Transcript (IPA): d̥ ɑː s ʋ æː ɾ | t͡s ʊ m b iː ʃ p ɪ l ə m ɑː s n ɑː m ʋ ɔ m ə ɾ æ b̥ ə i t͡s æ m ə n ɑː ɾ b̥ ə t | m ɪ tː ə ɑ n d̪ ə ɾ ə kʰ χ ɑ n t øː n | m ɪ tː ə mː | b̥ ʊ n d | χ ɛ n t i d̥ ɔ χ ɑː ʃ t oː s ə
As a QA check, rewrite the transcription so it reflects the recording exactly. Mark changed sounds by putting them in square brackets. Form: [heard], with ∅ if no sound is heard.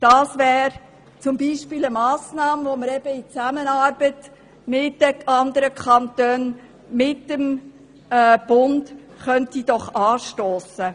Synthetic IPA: d̥ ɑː s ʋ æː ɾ | t͡s ʊ m b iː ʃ p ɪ l ə m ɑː s n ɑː m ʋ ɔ m ə ɾ [ɛ] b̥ ə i t͡s æ m ə n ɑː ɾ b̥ ə t | m ɪ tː ə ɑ n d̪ ə ɾ ə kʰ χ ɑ n t øː n | m ɪ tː ə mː | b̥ ʊ n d | χ [œ] n t i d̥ ɔ χ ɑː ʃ t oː s ə

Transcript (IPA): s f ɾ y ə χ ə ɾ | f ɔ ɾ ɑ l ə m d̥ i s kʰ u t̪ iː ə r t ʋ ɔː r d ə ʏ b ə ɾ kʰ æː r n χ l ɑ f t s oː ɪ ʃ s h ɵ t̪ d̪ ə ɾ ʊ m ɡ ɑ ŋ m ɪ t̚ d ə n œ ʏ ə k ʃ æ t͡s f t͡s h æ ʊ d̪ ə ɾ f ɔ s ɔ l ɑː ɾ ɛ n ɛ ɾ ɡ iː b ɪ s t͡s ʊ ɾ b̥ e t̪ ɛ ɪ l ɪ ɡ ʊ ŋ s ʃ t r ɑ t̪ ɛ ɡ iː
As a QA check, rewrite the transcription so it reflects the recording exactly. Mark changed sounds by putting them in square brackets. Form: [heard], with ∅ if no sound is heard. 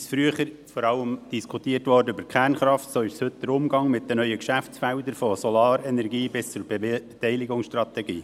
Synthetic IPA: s f ɾ y ə χ ə ɾ | f ɔ ɾ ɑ l ə m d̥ i s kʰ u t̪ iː ə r t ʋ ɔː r d ə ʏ b ə ɾ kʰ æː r n χ [ɾ] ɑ f t s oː ɪ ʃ s h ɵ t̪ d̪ ə ɾ ʊ m ɡ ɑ ŋ m ɪ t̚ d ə n œ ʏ ə k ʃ æ [∅] f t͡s [f] æ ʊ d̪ ə ɾ f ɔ s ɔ l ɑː ɾ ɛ n ɛ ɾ ɡ iː b ɪ s t͡s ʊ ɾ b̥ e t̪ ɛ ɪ l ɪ ɡ ʊ ŋ s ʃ t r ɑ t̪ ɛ ɡ iː

